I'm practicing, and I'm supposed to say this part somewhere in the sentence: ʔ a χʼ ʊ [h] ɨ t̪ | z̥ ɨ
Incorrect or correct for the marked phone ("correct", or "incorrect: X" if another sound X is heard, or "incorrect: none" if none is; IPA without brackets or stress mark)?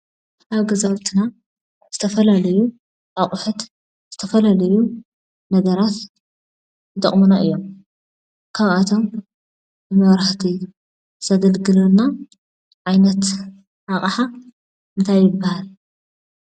incorrect: ħ